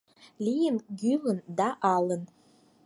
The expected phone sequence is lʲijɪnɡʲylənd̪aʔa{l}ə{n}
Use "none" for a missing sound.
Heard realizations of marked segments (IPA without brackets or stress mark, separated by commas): l, n